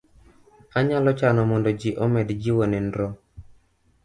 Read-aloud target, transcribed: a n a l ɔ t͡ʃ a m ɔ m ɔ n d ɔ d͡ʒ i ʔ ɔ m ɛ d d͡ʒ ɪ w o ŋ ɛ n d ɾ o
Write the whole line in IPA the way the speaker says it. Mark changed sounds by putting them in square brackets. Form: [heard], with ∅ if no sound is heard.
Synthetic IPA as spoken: a [ɲ] a l ɔ t͡ʃ a [n] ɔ m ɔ n d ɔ d͡ʒ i ʔ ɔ m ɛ d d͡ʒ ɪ w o [n] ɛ n d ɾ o